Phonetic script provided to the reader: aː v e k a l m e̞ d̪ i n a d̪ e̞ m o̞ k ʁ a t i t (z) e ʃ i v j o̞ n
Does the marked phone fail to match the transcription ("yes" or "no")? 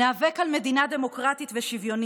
yes